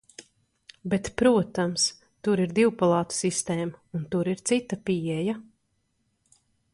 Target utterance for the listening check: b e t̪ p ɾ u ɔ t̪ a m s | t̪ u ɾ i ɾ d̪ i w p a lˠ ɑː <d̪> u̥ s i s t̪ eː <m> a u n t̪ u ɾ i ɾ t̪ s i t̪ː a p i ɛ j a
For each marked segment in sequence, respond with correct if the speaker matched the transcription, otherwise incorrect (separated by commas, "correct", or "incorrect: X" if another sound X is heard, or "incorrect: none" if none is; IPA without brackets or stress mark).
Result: incorrect: t̪, correct